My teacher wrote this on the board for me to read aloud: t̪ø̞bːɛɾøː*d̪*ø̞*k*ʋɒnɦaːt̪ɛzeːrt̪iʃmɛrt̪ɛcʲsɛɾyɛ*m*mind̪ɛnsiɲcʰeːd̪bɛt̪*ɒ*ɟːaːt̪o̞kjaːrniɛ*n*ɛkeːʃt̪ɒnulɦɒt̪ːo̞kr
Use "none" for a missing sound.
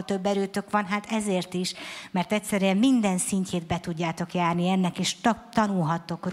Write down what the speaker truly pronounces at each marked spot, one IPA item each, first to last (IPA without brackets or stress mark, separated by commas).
t̪, k, m, u, nː